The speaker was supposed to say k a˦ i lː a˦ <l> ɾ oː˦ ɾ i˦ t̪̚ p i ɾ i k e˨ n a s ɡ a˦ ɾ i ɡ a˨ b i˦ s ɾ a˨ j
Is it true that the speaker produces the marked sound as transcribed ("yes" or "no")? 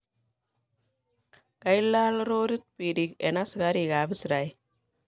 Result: yes